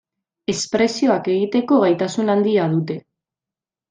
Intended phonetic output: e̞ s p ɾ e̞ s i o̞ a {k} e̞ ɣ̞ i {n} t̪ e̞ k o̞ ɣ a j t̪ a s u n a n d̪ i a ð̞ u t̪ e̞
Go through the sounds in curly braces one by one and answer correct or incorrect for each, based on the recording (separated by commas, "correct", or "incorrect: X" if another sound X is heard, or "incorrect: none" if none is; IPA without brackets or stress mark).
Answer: correct, incorrect: none